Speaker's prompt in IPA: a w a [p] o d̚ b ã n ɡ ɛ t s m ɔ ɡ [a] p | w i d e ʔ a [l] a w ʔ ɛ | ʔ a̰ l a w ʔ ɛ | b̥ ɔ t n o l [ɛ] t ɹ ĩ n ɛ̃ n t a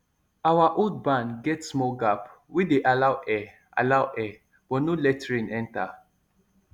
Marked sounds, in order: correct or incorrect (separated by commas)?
incorrect, correct, correct, correct